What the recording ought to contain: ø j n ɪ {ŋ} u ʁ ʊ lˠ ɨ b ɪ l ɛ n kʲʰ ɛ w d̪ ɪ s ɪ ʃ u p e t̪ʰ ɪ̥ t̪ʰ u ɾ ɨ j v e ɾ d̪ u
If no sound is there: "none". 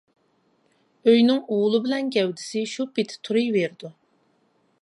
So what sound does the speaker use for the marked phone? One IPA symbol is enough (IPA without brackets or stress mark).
ŋ